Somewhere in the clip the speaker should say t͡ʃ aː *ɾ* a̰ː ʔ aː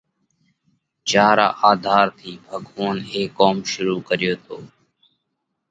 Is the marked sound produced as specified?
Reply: yes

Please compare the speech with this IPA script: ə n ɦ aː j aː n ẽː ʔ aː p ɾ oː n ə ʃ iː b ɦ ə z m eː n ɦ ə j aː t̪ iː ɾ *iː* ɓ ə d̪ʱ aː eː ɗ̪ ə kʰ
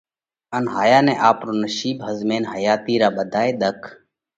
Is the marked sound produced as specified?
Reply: no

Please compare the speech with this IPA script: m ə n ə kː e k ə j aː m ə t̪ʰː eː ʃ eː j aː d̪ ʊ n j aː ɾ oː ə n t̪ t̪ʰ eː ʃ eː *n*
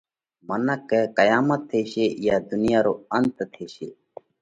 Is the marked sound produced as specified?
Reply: no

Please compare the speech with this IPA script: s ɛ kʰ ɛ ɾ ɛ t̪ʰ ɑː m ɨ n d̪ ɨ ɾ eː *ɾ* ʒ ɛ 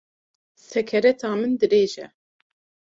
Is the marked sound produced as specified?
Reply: no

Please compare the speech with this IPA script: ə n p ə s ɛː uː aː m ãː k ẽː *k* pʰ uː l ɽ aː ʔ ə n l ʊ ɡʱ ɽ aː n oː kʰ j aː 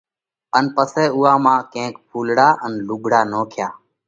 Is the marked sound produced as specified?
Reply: yes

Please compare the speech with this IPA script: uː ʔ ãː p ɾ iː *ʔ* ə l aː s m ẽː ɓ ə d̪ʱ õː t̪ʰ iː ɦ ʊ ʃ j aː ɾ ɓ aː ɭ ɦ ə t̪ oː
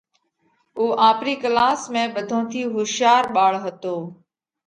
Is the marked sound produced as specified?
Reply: no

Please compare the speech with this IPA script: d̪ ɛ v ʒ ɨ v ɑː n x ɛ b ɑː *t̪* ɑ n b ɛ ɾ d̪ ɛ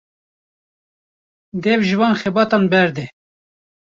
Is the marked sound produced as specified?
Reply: yes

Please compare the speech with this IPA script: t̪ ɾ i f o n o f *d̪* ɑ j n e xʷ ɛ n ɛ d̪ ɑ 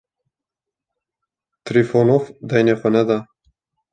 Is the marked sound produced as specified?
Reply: yes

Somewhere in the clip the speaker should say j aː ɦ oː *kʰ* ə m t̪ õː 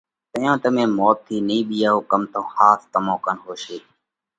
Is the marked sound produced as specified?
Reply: no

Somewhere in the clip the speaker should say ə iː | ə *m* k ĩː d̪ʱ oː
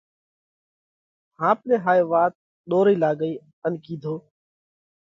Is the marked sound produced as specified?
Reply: no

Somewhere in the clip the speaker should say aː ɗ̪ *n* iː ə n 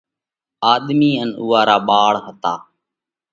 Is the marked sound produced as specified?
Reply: no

